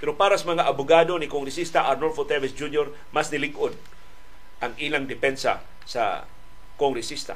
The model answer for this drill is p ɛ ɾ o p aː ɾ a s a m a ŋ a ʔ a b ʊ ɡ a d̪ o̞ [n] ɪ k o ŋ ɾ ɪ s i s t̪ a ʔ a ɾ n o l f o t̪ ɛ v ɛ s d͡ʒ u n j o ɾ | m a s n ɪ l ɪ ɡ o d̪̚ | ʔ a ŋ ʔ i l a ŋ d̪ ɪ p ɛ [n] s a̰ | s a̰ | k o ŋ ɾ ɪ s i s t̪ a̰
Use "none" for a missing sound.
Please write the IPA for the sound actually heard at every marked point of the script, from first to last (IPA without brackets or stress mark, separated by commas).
n, n